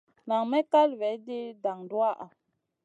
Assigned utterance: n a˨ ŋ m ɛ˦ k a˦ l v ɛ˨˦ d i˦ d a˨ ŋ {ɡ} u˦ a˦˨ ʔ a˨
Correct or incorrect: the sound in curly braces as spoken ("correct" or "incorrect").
incorrect